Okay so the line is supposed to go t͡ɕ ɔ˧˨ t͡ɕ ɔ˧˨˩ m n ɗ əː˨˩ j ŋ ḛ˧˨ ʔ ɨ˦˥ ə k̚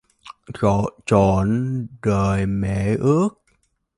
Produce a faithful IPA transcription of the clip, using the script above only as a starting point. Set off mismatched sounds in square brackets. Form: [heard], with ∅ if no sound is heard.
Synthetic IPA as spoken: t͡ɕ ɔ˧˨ t͡ɕ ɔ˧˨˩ [∅] n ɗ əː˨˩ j [m] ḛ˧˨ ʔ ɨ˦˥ ə k̚